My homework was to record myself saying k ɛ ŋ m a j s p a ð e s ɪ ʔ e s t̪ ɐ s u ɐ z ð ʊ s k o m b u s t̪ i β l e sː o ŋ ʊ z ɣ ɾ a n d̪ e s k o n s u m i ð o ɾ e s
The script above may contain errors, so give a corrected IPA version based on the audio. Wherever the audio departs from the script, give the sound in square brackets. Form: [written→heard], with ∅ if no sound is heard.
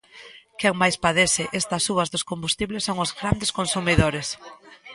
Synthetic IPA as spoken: k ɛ ŋ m a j s p a ð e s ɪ ʔ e s t̪ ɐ s u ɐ z ð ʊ s k o m b u s t̪ i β l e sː o ŋ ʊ z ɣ ɾ a n d̪ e s k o n s u m i ð o ɾ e s